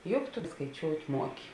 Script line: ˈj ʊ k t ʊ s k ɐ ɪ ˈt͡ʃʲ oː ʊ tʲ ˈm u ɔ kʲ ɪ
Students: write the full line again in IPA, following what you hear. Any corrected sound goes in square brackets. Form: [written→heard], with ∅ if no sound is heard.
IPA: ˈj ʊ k t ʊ s k ɐ ɪ ˈt͡ʃʲ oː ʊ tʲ ˈm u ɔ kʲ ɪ